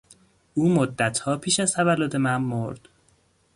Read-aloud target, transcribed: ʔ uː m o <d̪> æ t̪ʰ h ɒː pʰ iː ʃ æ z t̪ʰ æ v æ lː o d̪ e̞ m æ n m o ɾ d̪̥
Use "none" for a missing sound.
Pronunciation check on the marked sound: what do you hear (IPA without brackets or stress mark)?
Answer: d̪ː